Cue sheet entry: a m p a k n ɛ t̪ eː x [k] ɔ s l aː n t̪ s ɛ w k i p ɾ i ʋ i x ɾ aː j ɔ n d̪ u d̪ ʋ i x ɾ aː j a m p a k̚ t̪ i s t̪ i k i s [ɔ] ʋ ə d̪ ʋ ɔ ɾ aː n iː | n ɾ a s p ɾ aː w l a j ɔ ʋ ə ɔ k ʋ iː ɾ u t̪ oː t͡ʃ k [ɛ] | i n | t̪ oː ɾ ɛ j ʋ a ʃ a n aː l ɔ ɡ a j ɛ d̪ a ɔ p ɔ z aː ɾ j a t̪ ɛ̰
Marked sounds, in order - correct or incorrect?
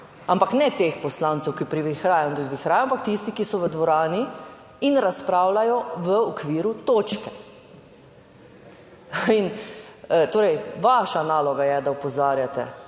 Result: incorrect: p, correct, correct

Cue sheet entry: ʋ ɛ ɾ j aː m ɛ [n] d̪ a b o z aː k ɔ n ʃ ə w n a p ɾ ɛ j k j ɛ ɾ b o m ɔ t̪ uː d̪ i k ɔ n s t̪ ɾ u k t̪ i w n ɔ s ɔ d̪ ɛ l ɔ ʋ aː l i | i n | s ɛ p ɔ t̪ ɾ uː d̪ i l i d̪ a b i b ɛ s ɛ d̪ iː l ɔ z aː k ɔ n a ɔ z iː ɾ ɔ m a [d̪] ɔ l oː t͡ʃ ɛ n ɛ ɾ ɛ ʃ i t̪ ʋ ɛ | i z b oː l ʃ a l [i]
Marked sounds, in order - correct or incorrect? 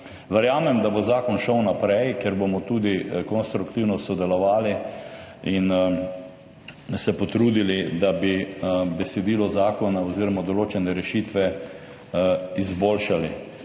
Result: incorrect: m, correct, correct

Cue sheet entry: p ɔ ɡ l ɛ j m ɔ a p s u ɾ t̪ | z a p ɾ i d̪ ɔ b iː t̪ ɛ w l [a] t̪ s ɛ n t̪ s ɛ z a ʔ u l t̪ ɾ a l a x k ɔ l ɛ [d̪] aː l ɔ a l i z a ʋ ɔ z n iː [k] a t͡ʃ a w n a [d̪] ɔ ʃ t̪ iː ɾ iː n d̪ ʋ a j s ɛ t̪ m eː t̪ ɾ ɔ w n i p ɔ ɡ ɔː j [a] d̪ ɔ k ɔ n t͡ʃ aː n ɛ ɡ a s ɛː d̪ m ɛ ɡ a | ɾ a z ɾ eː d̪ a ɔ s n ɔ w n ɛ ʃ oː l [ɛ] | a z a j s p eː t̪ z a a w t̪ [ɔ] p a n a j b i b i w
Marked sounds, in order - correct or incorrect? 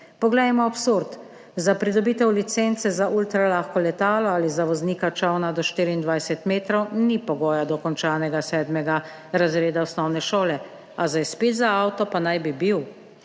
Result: incorrect: i, incorrect: t̪, correct, correct, correct, correct, correct

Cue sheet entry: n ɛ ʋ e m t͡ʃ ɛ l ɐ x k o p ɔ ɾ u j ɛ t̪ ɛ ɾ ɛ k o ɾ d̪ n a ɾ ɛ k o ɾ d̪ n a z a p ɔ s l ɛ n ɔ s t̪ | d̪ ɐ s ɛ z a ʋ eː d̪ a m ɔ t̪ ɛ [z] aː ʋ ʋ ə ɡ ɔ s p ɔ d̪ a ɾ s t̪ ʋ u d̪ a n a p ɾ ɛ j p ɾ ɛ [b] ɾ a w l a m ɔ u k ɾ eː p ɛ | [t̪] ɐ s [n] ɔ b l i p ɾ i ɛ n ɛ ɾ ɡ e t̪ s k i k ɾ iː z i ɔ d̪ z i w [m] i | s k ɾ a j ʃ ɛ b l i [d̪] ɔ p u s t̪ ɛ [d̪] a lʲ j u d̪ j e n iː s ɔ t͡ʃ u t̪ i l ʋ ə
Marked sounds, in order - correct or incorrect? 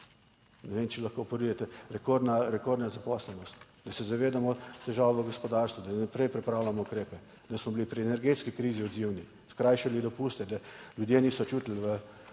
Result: incorrect: ʒ, incorrect: p, incorrect: d̪, incorrect: m, incorrect: n, correct, correct

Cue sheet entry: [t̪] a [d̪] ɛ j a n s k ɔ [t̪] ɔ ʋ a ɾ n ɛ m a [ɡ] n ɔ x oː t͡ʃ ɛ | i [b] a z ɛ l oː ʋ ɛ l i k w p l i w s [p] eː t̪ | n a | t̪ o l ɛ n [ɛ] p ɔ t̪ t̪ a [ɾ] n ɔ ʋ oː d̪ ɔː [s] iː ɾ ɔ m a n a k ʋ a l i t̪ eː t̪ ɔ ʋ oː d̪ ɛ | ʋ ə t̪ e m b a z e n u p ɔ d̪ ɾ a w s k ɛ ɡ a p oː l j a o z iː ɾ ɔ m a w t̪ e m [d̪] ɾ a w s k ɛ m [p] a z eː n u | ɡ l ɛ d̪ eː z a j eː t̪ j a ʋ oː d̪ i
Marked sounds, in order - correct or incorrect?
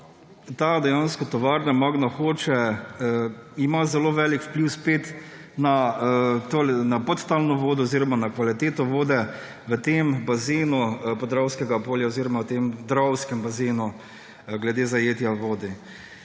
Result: correct, correct, correct, correct, incorrect: m, correct, incorrect: a, incorrect: l, incorrect: z, correct, incorrect: b

